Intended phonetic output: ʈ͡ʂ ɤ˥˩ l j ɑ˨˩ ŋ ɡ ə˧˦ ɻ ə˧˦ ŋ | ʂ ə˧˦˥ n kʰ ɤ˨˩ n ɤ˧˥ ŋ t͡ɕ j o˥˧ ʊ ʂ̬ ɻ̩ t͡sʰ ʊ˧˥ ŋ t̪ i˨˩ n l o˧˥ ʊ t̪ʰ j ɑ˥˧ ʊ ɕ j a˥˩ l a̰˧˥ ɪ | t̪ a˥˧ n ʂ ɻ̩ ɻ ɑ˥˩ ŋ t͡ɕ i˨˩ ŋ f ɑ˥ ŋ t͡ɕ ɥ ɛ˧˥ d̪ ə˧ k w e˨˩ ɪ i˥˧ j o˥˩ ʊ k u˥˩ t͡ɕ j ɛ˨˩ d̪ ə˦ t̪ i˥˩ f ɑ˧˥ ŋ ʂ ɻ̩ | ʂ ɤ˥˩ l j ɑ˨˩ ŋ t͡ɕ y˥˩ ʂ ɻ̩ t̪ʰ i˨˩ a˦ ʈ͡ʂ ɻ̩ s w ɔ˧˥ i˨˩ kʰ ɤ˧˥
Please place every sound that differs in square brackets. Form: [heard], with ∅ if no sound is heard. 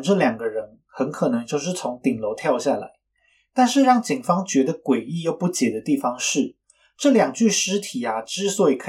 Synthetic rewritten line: ʈ͡ʂ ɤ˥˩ l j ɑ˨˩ ŋ ɡ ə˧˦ ɻ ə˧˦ [n] | [x] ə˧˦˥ n kʰ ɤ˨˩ n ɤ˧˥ ŋ t͡ɕ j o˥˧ ʊ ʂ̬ ɻ̩ t͡sʰ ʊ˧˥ ŋ t̪ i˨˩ [ŋ] l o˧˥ ʊ t̪ʰ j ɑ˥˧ ʊ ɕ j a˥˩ l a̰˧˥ ɪ | t̪ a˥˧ n ʂ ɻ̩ ɻ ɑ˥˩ ŋ t͡ɕ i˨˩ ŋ f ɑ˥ ŋ t͡ɕ ɥ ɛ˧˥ d̪ ə˧ k w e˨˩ ɪ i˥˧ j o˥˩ ʊ [p] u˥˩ t͡ɕ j ɛ˨˩ d̪ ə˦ t̪ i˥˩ f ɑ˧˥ ŋ ʂ ɻ̩ | [ʈ͡ʂ] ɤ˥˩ l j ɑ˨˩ ŋ t͡ɕ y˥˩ ʂ ɻ̩ t̪ʰ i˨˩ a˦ ʈ͡ʂ ɻ̩ s w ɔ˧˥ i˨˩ kʰ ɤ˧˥